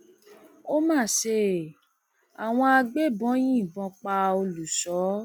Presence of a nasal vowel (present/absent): present